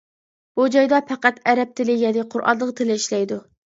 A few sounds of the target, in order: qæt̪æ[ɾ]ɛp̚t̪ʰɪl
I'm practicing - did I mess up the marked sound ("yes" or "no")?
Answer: no